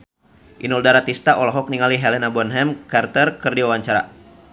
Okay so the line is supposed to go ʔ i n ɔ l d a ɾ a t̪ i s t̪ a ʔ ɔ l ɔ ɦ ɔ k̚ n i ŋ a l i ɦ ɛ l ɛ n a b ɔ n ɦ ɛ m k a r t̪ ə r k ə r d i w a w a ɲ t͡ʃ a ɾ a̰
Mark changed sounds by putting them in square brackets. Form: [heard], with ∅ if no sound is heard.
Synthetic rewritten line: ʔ i n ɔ l d a ɾ a t̪ i s t̪ a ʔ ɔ l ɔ ɦ ɔ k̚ n i ŋ a l i ɦ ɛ l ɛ n a b ɔ n ɦ ɛ m k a r t̪ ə r k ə r d i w a w a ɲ t͡ʃ a ɾ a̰